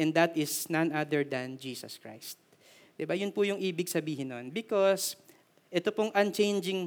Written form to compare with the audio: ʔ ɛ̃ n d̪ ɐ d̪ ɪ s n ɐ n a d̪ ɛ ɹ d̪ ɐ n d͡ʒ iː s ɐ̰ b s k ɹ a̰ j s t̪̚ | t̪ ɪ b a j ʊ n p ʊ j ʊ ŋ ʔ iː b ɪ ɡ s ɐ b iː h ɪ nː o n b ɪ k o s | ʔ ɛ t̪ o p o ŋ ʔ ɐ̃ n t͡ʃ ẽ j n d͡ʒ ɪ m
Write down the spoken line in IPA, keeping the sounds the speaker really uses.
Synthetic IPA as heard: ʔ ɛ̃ n d̪ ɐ t̪ ɪ s n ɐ n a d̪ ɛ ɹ d̪ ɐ n d͡ʒ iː s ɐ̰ s k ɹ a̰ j s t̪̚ | d̪ ɪ b a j ʊ n p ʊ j ʊ ŋ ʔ iː b ɪ ɡ s ɐ b iː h ɪ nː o n b ɪ k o s | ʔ ɛ t̪ o p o ŋ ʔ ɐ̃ n t͡ʃ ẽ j n d͡ʒ ɪ ŋ